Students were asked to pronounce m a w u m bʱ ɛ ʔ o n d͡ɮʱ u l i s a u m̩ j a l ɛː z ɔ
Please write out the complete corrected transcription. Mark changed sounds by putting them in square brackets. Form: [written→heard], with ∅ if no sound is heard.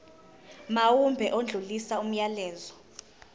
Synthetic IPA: m a w u m bʱ ɛ ʔ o n d͡ɮʱ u l i s a u m̩ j a l ɛː z ɔ